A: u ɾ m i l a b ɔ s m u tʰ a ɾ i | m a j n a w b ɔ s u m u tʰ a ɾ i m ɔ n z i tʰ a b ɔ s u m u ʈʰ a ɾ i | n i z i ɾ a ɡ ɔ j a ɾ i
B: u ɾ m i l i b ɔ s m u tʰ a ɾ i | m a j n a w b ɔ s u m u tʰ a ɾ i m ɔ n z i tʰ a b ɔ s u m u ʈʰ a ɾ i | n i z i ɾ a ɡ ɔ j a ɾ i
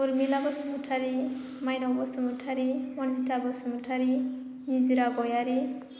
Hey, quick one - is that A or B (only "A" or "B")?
A